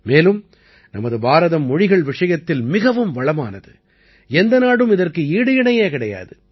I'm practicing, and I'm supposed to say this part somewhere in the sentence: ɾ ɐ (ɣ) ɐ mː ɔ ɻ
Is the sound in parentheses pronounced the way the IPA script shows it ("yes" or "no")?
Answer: no